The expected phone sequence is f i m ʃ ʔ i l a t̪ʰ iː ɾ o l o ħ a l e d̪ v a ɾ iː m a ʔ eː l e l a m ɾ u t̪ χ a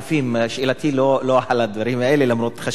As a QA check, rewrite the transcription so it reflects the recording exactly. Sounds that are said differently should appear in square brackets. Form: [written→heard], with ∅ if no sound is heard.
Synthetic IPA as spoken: f i m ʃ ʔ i l a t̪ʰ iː [ɾ→l] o l o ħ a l [e→a] d̪ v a ɾ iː m a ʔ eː l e l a m ɾ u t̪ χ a